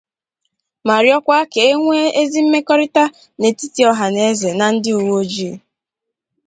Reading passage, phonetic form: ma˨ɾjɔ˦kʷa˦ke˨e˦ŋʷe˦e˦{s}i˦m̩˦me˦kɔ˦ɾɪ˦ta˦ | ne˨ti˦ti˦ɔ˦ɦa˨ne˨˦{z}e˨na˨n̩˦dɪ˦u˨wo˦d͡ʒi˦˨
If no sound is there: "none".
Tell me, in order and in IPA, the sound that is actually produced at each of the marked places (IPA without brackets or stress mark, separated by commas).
z, z